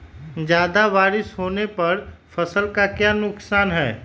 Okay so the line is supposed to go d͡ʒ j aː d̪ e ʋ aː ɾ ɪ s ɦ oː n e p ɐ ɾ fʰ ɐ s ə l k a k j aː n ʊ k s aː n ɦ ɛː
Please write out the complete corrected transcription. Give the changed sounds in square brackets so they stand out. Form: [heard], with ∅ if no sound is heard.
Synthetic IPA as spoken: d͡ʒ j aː d̪ [a] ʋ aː ɾ ɪ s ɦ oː n e p ɐ ɾ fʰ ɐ s ə l k a k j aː n ʊ k s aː n ɦ ɛː

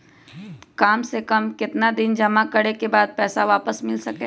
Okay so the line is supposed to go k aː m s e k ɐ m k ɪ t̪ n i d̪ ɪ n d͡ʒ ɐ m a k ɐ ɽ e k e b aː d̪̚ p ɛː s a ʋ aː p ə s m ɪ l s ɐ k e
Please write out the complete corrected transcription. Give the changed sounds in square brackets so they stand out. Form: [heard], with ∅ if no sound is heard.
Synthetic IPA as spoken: k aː m s e k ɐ m k ɪ t̪ n [a] d̪ ɪ n d͡ʒ ɐ m a k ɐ ɽ e k e b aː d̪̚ p ɛː s a ʋ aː p ə s m ɪ l s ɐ k e

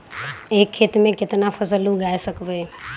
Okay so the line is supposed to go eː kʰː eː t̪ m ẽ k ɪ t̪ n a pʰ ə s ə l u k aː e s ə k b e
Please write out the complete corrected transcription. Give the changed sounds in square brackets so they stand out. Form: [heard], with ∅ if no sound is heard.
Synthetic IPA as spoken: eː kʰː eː t̪ m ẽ k ɪ t̪ n a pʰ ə s ə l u [ɡ] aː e s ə k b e

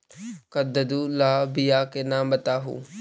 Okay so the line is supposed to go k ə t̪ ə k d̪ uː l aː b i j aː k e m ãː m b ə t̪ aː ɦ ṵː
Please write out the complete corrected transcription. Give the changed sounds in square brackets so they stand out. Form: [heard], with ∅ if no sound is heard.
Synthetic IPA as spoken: k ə [d̪] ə [∅] d̪ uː l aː b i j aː k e [n] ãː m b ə t̪ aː ɦ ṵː

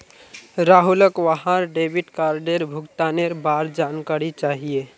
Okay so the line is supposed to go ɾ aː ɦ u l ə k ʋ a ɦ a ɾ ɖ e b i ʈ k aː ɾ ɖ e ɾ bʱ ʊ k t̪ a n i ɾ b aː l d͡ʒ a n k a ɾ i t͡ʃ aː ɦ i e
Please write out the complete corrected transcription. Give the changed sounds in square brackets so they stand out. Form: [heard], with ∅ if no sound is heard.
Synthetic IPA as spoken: ɾ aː ɦ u l ə k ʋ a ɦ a ɾ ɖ e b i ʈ k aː ɾ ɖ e ɾ bʱ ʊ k t̪ a n [e] ɾ b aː [ɾ] d͡ʒ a n k a ɾ i t͡ʃ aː ɦ i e

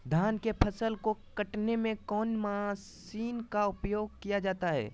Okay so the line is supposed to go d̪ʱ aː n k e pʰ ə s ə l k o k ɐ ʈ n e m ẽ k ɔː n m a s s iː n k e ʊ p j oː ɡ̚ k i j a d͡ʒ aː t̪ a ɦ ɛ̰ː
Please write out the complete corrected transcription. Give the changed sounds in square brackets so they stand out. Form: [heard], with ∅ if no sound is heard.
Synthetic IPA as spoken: d̪ʱ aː n k e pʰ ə s ə l k o k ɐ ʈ n e m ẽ k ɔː n m a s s iː n k [a] ʊ p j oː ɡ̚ k i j a d͡ʒ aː t̪ a ɦ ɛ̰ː

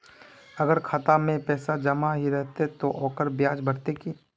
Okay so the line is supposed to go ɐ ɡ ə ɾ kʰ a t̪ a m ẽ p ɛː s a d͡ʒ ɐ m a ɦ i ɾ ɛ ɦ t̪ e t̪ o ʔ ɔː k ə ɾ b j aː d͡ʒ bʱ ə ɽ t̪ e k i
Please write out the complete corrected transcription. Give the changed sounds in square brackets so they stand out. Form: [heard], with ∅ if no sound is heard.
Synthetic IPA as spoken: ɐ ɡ ə ɾ kʰ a t̪ a m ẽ p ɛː s a d͡ʒ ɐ m a ɦ i ɾ ɛ ɦ t̪ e t̪ o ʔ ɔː k ə ɾ b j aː d͡ʒ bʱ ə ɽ t̪ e k i

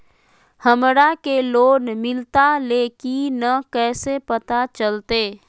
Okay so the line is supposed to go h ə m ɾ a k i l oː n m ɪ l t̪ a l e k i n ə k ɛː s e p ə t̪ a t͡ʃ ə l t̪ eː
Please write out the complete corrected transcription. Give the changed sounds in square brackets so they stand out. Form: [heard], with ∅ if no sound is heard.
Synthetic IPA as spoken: h ə m ɾ a k [e] l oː n m ɪ l t̪ a l e k i n ə k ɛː s e p ə t̪ a t͡ʃ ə l t̪ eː

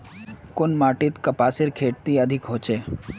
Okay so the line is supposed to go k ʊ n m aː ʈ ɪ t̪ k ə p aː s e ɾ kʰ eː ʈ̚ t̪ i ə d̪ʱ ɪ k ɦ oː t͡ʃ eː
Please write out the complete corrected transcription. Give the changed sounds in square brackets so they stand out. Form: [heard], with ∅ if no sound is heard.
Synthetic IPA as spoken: k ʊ n m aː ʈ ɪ t̪ k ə p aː s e ɾ kʰ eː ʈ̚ t̪ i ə d̪ʱ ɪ k ɦ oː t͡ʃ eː

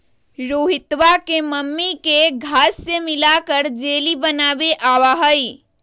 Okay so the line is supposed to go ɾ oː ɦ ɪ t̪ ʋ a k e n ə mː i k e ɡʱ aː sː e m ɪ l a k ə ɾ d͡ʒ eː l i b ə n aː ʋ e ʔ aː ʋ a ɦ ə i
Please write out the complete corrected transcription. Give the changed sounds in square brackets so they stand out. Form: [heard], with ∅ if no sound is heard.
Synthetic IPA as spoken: ɾ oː ɦ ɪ t̪ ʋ a k e [m] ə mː i k e ɡʱ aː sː e m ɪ l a k ə ɾ d͡ʒ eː l i b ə n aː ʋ e ʔ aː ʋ a ɦ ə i

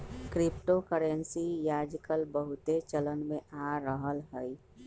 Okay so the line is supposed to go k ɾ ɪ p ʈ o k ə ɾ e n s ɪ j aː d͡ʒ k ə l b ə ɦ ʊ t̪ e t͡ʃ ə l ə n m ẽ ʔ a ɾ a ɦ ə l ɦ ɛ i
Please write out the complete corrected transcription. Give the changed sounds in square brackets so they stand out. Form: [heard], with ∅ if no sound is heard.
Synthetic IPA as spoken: k ɾ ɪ p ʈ o k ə ɾ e n s [i] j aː d͡ʒ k ə l b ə ɦ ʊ t̪ e t͡ʃ ə l ə n m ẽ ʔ a ɾ [ə] ɦ ə l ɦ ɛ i

